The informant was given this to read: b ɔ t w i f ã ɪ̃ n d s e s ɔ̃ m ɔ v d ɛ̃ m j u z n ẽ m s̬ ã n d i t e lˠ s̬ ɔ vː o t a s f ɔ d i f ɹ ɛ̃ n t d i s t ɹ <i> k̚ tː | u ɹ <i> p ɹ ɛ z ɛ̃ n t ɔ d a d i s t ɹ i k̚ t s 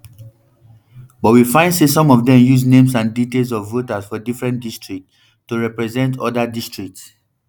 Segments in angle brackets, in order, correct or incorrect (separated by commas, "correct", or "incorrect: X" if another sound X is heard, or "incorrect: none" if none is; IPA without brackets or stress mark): correct, incorrect: ɛ